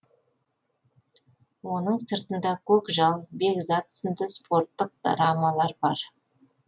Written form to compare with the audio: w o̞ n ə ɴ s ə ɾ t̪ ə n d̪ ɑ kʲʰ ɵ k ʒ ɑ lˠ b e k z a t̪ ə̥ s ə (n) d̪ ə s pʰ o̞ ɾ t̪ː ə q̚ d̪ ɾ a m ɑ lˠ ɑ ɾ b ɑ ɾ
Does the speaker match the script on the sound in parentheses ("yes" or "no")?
yes